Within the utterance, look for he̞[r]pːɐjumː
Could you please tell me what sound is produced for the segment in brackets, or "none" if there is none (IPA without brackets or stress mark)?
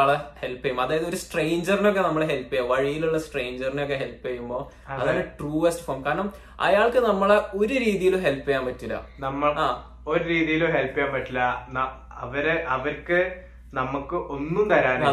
l